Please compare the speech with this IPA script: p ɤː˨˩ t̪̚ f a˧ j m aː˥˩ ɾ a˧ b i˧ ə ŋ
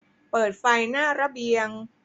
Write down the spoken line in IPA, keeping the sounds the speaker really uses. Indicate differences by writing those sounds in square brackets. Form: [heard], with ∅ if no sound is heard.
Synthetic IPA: p ɤː˨˩ t̪̚ f a˧ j [n] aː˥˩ ɾ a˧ b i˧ ə ŋ